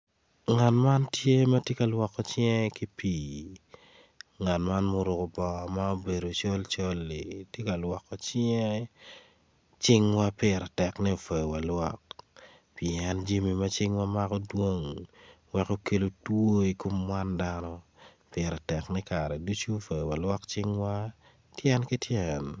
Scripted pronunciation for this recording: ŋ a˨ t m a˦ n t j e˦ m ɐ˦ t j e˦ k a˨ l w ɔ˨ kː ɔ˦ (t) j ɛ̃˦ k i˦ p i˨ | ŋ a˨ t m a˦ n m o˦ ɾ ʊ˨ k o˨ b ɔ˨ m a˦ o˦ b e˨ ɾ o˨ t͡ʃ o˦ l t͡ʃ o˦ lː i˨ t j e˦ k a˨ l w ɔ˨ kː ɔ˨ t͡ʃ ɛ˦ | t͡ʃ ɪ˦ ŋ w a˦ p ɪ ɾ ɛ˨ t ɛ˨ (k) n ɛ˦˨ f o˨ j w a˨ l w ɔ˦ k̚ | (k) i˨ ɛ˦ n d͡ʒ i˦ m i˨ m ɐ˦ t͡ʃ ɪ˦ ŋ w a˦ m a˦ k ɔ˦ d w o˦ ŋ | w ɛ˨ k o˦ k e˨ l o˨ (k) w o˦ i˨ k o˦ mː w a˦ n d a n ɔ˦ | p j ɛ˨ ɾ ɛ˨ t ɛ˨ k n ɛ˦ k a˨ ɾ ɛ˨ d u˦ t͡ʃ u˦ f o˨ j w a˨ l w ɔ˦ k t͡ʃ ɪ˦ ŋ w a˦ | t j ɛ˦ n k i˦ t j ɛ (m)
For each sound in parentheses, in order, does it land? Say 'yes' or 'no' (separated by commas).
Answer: no, yes, no, no, no